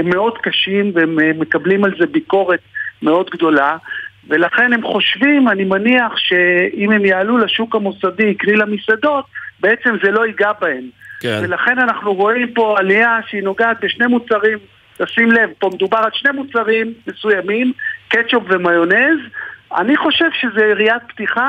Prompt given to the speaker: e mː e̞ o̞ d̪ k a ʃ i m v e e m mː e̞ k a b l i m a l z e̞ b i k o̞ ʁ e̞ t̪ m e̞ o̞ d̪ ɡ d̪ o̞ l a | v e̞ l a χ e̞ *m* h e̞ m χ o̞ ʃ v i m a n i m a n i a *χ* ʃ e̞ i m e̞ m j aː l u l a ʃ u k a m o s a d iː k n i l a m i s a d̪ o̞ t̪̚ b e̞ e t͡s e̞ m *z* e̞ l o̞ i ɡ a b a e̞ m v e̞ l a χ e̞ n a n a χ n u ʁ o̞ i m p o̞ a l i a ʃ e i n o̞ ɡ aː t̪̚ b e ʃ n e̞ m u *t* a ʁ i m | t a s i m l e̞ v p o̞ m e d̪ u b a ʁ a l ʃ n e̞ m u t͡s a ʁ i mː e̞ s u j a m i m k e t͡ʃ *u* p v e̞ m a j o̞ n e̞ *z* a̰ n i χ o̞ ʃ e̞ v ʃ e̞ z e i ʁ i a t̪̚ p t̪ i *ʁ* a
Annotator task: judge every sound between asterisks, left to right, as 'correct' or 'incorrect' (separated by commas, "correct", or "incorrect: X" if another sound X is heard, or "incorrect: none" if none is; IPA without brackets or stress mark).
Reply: incorrect: n, correct, correct, incorrect: t͡s, incorrect: o, correct, incorrect: χ